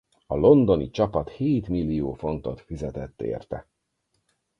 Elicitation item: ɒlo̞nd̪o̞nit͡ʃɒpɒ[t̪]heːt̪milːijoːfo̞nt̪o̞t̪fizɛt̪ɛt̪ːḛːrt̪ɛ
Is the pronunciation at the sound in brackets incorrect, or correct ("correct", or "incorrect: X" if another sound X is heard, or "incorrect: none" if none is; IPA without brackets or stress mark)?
correct